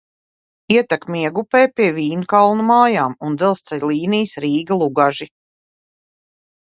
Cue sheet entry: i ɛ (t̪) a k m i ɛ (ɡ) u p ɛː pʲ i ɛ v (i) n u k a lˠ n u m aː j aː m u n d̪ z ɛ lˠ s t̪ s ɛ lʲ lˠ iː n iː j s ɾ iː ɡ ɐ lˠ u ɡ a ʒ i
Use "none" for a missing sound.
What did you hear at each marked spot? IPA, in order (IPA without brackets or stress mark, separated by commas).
t̪, ɡ, iː